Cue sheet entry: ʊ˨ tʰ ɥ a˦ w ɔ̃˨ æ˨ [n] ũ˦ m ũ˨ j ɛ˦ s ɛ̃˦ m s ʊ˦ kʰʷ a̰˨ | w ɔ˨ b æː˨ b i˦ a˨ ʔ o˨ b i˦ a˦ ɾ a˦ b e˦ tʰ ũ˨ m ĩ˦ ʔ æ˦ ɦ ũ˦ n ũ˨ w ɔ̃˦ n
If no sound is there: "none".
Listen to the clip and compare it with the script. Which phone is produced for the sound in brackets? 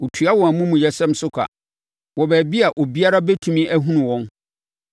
m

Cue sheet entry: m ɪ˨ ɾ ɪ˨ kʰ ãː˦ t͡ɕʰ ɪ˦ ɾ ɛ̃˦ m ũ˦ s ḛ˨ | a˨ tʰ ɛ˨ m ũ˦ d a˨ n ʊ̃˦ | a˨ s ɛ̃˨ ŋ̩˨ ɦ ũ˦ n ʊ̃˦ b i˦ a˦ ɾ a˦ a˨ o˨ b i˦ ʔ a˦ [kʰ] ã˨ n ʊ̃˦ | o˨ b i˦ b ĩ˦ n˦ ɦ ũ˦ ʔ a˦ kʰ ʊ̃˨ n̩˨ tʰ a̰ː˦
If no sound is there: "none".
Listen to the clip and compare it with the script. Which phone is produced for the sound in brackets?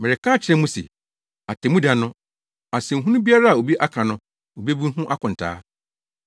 kʰ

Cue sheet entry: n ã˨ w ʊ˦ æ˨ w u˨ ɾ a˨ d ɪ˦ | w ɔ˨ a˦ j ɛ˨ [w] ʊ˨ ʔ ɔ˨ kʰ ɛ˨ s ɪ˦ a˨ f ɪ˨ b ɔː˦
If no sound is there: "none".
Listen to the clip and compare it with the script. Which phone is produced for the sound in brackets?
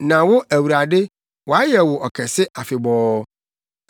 w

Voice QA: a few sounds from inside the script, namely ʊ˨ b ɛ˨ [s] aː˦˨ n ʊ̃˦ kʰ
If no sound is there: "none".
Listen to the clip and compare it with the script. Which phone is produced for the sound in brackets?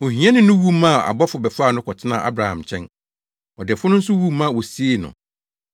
f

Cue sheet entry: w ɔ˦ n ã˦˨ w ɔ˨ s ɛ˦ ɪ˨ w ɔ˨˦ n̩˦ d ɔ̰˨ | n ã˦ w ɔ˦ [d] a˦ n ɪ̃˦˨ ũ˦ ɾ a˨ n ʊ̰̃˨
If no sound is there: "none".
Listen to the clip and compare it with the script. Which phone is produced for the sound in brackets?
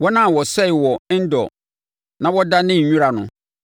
d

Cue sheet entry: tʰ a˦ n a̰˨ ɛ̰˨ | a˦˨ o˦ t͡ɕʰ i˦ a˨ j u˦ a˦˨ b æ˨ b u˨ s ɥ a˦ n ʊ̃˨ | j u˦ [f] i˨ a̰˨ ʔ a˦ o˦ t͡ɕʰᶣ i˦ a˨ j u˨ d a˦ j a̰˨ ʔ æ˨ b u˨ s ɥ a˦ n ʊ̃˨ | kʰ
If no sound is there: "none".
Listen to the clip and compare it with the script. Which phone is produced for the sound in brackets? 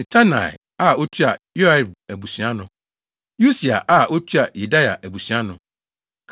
s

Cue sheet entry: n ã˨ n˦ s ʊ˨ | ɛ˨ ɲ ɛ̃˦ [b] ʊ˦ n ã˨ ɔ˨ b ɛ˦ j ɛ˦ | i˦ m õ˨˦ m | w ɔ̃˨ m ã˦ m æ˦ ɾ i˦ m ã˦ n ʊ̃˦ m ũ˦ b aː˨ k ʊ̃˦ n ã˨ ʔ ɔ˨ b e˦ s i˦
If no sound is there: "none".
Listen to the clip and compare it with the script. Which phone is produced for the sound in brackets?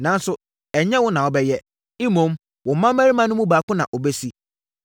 w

